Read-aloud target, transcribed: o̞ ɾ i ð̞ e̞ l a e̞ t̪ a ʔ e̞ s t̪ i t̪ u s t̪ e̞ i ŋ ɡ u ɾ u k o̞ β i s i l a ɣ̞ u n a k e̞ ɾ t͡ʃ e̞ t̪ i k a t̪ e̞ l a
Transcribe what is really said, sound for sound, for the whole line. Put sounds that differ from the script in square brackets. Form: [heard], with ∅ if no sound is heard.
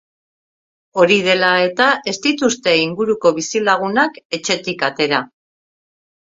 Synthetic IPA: o̞ ɾ i ð̞ e̞ l a e̞ t̪ a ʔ e̞ s t̪ i t̪ u s t̪ e̞ i ŋ ɡ u ɾ u k o̞ β i s i l a ɣ̞ u n a k e̞ [∅] t͡ʃ e̞ t̪ i k a t̪ e̞ [ɾ] a